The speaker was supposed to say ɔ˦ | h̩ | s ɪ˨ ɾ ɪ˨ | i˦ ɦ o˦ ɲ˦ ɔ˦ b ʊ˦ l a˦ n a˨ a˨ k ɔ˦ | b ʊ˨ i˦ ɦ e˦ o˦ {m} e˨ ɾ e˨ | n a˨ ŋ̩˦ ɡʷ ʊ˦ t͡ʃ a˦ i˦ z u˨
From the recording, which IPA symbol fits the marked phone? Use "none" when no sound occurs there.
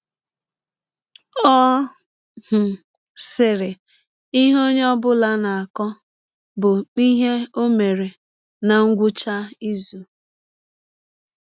m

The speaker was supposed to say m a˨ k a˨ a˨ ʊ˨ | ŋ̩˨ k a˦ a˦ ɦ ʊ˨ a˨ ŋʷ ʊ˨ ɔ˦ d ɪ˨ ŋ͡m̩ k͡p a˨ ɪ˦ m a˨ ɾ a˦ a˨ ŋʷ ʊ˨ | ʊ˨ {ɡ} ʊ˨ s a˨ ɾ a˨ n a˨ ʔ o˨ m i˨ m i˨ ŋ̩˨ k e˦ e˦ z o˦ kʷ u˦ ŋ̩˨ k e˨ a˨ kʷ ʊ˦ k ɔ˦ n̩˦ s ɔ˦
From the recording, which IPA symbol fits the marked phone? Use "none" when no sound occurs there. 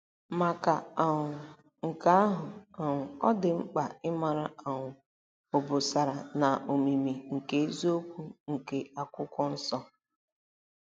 b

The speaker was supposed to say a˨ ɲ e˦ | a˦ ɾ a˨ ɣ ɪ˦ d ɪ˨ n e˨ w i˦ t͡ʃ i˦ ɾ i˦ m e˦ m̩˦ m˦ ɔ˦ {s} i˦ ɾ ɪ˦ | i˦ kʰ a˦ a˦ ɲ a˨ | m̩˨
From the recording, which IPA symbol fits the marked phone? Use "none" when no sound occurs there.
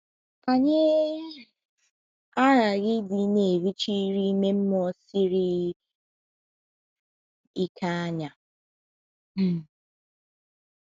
s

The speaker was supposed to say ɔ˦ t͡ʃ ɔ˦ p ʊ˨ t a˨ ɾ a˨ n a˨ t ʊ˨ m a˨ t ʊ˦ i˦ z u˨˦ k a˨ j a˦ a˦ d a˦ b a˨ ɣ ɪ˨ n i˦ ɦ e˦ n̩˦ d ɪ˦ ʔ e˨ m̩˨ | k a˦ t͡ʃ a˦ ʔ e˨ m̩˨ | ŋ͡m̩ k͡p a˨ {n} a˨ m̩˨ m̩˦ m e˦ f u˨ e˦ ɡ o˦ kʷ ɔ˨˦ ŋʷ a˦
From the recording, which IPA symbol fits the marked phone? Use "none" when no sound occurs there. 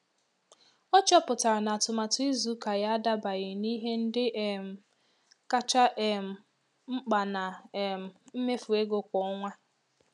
n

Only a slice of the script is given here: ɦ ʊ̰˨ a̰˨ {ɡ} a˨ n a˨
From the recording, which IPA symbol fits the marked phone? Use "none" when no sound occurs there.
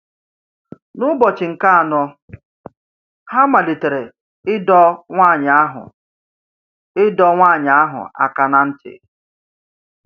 k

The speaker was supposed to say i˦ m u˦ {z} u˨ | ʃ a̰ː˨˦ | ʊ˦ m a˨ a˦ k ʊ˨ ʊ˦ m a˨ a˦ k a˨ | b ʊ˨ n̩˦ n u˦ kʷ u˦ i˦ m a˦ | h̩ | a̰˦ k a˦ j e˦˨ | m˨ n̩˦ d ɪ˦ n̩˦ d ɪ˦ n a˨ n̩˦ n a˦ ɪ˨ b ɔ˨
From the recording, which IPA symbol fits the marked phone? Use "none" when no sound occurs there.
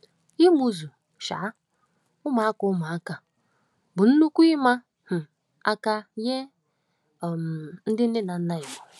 z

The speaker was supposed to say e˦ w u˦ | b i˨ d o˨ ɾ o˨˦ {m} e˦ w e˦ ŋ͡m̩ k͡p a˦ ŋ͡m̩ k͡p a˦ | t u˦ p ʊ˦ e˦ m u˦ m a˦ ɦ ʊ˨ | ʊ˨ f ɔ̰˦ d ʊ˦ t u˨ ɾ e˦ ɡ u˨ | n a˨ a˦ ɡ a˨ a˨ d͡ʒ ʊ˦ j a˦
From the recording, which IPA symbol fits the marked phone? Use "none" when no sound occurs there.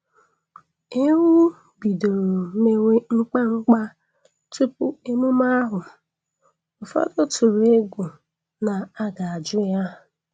m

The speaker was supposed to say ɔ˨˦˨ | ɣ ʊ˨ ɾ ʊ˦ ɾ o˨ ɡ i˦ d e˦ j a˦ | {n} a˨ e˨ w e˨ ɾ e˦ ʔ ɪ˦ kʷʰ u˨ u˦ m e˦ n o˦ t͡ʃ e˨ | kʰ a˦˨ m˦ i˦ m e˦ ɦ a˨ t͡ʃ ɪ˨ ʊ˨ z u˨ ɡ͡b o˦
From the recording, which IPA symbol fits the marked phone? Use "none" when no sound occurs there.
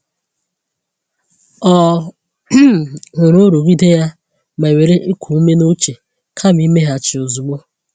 m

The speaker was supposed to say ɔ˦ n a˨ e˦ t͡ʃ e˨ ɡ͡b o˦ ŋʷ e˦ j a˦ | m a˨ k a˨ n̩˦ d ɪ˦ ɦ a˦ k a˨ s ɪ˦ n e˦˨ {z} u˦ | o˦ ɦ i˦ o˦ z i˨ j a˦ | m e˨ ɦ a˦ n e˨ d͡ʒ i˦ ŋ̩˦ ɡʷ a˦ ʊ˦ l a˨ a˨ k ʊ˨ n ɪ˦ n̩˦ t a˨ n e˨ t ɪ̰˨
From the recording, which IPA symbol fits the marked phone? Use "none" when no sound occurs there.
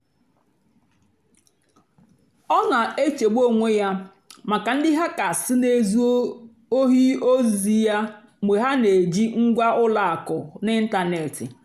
z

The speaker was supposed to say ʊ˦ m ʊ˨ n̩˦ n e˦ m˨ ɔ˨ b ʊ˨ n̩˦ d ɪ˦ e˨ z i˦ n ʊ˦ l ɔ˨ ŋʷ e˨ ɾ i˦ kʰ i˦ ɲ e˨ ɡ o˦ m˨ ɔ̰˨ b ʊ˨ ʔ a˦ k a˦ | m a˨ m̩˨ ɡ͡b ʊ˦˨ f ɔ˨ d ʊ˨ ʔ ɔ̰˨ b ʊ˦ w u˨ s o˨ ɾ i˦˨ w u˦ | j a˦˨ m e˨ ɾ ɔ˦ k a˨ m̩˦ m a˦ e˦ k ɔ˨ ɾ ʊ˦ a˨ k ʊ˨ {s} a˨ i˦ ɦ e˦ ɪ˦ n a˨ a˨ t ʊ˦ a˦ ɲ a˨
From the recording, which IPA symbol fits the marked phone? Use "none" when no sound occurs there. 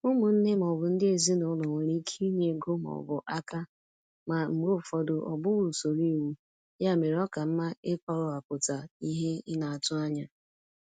t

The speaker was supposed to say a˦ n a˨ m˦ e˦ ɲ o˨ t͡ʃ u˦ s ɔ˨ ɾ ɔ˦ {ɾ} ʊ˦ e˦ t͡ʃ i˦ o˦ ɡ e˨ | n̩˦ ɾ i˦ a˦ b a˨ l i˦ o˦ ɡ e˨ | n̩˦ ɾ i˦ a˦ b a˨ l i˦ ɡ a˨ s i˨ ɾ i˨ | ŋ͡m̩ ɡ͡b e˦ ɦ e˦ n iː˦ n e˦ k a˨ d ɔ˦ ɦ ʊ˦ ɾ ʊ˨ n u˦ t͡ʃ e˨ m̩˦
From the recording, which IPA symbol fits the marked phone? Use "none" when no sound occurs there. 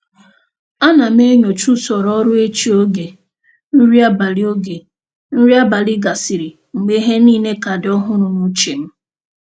ɾ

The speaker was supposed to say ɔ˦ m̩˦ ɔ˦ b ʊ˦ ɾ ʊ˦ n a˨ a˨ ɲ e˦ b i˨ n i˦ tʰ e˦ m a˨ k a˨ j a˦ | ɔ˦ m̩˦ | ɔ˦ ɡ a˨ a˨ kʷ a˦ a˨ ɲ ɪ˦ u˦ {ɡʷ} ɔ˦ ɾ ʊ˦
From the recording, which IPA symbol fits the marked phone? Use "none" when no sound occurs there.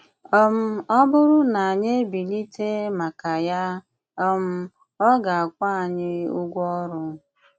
ɡʷ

